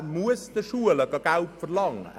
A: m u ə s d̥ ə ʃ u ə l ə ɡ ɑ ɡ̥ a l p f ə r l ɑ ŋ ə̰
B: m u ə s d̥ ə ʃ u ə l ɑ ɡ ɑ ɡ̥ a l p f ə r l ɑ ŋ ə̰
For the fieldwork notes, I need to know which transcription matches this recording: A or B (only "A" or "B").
A